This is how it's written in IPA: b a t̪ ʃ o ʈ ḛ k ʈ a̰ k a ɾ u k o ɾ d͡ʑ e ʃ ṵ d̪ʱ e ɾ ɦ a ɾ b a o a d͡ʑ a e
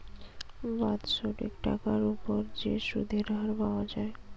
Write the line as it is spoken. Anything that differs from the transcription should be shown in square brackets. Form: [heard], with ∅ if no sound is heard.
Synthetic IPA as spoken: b a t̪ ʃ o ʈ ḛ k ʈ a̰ k a ɾ u [p] o ɾ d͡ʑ e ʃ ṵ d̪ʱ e ɾ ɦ a ɾ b a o a d͡ʑ a e

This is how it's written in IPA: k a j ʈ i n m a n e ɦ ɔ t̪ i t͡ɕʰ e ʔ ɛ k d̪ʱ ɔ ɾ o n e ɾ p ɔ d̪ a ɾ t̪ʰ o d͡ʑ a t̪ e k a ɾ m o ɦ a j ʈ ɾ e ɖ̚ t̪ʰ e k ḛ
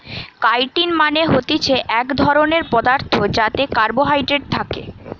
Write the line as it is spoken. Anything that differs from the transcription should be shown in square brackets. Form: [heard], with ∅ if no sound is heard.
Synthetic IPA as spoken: k a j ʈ i n m a n e ɦ [o] t̪ i t͡ɕʰ e ʔ ɛ k d̪ʱ ɔ ɾ o n e ɾ p ɔ d̪ a ɾ t̪ʰ o d͡ʑ a t̪ e k a ɾ [b] o ɦ a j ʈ ɾ e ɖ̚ t̪ʰ [a] k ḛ

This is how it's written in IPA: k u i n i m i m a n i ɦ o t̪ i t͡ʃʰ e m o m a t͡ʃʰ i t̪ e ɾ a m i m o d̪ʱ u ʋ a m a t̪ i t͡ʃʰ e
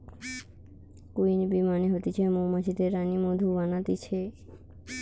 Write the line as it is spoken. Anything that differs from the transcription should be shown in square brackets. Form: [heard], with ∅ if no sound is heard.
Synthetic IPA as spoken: k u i n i [b] i m a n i ɦ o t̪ i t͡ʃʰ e m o m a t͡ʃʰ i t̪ e ɾ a [n] i m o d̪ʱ u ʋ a [n] a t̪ i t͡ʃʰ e

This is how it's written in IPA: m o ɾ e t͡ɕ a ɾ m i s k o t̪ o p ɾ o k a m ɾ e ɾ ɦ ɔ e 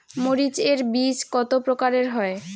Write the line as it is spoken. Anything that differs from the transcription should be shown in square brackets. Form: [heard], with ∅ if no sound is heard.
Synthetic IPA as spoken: m o ɾ [i] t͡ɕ [e] ɾ [b] i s k [ɔ] t̪ o p ɾ o k a [∅] ɾ e ɾ ɦ ɔ e

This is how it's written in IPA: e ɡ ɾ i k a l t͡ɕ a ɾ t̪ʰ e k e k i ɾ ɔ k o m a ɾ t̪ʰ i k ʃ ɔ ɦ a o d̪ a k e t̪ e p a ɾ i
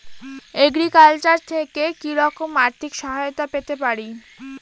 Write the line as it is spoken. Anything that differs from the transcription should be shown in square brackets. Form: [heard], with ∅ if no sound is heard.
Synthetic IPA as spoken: e ɡ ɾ i k a l t͡ɕ a ɾ t̪ʰ e k e k i ɾ ɔ k o m a ɾ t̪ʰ i k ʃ ɔ ɦ a o [t̪] a [p] e t̪ e p a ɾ i

